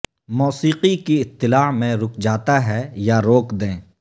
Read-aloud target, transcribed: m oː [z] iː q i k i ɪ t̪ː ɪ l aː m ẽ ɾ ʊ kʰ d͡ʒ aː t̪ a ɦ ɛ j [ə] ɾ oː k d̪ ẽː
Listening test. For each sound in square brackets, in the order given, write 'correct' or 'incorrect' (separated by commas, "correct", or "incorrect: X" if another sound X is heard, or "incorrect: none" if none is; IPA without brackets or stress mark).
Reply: incorrect: s, incorrect: a